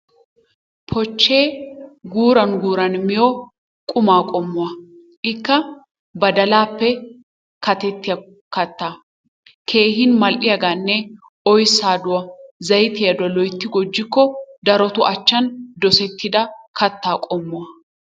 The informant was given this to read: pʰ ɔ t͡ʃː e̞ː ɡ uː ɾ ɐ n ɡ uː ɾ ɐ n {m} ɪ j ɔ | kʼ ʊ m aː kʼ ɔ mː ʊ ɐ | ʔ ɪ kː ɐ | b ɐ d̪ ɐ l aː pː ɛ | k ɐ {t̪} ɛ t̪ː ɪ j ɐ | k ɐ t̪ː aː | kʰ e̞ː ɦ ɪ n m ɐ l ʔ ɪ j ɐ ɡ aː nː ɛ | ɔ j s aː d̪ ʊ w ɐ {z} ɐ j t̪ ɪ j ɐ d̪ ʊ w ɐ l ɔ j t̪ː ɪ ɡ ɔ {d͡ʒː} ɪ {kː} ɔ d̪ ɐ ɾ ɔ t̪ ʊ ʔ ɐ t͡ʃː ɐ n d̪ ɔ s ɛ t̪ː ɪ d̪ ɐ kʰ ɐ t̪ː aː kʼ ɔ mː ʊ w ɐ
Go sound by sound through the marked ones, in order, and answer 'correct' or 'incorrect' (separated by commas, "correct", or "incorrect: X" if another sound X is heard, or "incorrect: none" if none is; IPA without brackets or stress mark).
correct, correct, correct, correct, correct